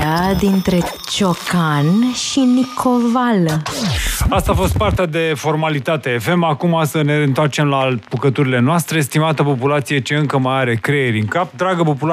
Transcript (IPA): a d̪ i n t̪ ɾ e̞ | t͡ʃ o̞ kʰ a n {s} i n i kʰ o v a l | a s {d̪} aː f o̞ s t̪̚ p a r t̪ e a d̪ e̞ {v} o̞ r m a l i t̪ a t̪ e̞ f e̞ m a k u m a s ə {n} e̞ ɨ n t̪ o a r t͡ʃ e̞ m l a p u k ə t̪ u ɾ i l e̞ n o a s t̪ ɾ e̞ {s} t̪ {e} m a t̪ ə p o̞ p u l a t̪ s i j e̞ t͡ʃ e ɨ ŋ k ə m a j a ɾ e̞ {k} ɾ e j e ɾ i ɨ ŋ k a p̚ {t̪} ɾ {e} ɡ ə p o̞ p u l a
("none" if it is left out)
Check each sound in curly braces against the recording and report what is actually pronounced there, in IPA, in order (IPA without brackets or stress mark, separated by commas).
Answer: ʃ, t̪, f, n, s, i, k, d̪, a